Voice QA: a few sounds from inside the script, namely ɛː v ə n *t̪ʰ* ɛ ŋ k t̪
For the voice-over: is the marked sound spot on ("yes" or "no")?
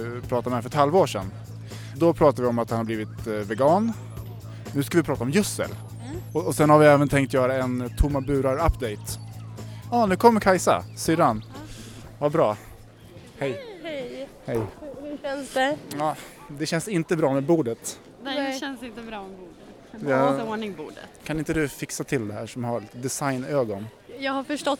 yes